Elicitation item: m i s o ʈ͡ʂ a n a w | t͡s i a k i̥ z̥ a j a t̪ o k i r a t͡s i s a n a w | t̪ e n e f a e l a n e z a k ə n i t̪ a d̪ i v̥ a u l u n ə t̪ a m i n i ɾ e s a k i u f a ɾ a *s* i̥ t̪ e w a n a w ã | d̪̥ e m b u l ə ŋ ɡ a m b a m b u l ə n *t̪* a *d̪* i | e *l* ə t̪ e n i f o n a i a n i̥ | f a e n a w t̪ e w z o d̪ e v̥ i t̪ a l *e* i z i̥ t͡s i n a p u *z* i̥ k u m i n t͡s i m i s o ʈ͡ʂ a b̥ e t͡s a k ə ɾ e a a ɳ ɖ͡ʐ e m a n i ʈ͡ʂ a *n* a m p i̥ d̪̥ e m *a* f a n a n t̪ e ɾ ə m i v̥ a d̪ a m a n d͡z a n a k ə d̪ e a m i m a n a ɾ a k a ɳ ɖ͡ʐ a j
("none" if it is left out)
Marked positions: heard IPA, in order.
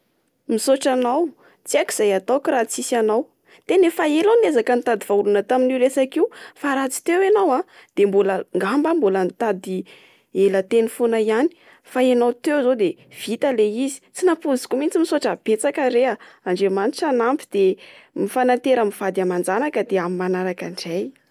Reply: t͡s, t̪, d̪, l, e, z, n, i

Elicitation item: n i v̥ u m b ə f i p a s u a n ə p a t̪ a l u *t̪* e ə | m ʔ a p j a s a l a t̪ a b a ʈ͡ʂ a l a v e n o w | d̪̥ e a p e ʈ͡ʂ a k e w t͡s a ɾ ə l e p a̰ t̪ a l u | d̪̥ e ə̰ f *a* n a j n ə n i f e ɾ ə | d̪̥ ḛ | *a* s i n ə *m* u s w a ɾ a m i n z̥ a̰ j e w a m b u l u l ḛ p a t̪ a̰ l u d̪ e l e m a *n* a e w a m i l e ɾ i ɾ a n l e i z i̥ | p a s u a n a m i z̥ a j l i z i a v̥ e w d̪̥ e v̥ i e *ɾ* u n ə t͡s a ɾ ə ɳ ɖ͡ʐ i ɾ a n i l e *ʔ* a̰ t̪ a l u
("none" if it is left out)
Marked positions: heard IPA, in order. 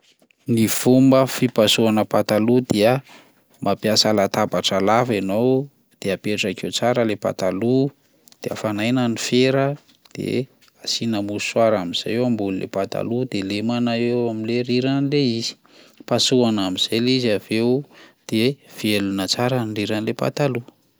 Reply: d̪, a, a, m, n, l, p

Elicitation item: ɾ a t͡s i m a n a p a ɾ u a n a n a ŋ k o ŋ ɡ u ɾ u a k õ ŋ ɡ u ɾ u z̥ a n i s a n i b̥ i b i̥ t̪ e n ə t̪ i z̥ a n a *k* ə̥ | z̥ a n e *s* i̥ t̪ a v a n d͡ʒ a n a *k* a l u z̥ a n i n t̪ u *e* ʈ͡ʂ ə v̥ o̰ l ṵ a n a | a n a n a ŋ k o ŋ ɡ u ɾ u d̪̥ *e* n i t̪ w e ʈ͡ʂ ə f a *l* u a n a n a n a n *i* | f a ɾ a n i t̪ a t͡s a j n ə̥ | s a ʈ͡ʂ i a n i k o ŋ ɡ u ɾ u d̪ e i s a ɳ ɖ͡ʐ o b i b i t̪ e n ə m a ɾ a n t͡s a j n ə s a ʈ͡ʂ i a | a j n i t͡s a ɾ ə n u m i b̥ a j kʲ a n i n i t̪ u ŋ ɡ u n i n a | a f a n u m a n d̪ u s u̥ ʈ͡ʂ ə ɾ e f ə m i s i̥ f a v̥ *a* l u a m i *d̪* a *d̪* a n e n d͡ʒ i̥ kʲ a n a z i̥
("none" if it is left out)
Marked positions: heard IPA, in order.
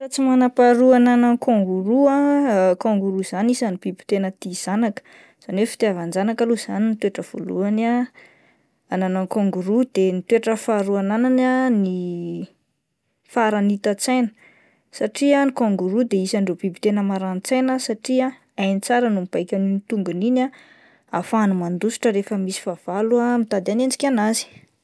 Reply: k, f, k, e, e, ɾ, i, a, t̪, d̪

